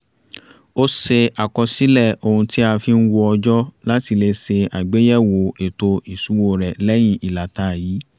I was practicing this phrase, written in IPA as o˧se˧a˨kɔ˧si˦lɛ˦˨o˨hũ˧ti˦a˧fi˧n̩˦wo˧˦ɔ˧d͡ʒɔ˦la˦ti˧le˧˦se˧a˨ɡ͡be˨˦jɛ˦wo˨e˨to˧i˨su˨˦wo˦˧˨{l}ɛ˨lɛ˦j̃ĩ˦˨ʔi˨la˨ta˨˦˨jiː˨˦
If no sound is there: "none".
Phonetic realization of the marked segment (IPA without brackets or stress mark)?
ɾ